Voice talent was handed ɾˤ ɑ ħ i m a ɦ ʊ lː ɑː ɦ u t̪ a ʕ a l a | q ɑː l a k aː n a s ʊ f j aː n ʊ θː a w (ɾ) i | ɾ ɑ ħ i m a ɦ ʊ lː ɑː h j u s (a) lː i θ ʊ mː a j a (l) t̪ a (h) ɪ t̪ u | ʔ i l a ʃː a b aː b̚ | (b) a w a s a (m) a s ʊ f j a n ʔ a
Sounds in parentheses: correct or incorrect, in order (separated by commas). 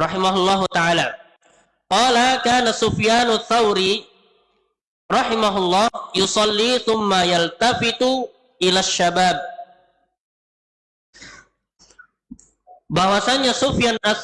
correct, incorrect, correct, incorrect, correct, incorrect